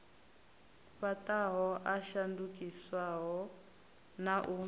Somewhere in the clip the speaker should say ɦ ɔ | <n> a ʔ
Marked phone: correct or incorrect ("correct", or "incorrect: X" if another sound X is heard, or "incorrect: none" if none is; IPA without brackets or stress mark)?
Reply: correct